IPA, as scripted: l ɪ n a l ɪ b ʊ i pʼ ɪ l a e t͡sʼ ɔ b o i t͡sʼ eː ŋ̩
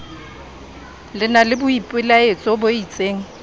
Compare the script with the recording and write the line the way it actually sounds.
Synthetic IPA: l ɪ n a l ɪ b ʊ i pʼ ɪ l a e t͡sʼ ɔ b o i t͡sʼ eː ŋ̩